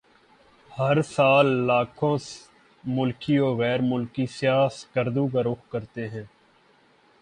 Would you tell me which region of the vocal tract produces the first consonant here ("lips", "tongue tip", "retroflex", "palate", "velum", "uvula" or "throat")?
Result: throat